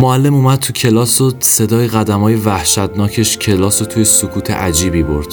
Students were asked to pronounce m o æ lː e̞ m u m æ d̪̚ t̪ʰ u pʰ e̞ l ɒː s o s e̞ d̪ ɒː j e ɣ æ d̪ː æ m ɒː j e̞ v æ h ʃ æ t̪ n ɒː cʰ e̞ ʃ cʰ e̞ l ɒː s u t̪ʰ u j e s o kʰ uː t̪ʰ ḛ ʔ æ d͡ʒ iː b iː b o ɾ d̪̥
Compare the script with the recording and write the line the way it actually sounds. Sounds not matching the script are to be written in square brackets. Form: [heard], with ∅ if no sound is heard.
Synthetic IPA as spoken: m o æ lː e̞ m u m æ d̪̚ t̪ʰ u [cʰ] e̞ l ɒː s o s e̞ d̪ ɒː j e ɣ æ [d̪] æ m ɒː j e̞ v æ h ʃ æ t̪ n ɒː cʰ e̞ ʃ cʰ e̞ l ɒː s [o] t̪ʰ u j e s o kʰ uː t̪ʰ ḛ ʔ æ d͡ʒ iː b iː b o ɾ d̪̥